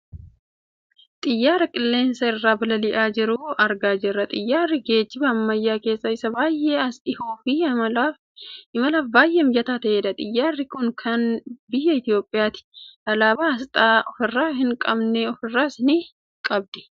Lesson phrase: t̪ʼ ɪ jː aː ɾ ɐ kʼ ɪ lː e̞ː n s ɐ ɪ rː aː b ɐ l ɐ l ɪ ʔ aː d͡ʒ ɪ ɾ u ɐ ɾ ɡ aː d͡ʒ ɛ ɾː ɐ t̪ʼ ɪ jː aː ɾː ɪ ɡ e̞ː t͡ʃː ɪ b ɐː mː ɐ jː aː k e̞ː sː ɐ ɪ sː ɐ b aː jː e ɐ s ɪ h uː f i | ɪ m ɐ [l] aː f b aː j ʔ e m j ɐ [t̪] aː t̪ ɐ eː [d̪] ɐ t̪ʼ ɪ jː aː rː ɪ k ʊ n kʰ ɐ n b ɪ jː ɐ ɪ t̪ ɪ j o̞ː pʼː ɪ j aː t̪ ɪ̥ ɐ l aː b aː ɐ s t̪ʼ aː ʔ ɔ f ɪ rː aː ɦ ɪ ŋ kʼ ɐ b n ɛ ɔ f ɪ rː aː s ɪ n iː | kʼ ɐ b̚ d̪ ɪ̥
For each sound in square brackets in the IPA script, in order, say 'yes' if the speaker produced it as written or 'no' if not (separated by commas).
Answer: yes, yes, yes